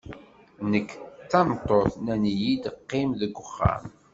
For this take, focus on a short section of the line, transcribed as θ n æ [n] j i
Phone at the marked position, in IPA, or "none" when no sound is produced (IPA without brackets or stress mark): n